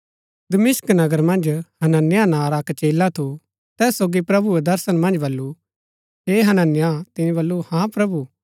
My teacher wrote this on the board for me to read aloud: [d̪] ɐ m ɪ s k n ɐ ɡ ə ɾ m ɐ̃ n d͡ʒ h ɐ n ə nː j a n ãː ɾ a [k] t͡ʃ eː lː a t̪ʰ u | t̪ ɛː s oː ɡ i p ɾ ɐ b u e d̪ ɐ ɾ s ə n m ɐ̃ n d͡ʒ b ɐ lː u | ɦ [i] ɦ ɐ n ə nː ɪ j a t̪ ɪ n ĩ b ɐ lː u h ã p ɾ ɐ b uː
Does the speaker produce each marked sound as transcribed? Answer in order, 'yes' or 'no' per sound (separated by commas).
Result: yes, yes, no